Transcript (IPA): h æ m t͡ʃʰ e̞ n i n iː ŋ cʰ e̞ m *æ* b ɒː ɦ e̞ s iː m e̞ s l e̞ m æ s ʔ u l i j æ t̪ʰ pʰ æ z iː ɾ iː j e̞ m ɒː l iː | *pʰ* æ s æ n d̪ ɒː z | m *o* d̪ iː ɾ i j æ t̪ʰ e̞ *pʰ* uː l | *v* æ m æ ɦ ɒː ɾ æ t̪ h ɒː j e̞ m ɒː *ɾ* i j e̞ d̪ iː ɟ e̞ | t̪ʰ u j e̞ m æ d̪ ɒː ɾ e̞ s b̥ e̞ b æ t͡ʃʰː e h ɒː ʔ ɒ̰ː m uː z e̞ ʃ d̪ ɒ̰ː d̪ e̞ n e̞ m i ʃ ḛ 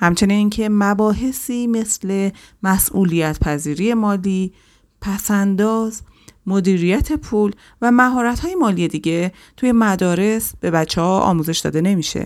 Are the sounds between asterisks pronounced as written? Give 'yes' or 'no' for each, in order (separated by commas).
yes, yes, yes, yes, yes, no